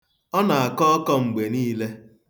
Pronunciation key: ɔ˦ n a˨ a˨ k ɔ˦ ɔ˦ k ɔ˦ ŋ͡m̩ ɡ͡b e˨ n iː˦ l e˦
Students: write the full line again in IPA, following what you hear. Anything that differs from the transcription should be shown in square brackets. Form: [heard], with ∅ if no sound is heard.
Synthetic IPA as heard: ɔ˦ n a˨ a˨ k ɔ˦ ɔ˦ k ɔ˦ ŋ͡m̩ ɡ͡b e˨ n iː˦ l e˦